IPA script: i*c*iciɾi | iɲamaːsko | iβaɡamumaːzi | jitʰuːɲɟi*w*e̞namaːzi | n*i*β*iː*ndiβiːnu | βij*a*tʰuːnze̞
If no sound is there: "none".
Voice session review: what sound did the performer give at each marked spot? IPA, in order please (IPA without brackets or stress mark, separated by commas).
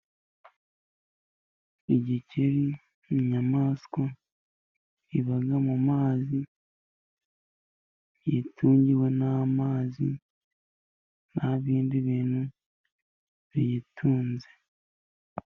ɟ, w, a, iː, i